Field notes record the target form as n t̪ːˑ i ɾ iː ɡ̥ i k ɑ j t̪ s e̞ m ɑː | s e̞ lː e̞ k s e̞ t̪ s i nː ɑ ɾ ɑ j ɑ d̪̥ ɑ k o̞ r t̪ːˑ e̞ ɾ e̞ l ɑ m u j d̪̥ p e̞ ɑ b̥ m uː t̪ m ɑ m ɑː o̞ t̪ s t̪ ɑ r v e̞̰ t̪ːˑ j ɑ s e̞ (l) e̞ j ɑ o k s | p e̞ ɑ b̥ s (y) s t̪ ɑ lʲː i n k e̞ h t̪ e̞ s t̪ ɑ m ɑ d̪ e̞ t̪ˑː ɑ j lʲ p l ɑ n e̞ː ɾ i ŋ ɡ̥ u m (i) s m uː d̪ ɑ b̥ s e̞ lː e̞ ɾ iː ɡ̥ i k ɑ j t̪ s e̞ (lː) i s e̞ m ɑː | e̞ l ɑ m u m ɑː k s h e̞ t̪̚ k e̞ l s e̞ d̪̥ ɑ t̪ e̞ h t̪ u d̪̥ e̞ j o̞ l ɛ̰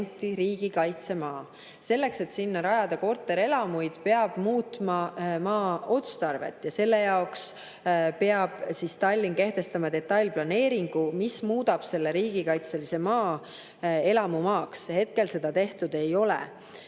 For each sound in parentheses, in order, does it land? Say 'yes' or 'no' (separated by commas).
no, no, yes, no